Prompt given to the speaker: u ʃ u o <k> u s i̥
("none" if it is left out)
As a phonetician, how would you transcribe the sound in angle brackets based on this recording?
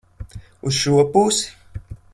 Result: p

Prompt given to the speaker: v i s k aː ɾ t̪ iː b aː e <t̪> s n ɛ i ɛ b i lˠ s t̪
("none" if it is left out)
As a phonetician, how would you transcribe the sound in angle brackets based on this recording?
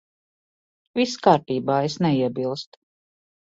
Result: none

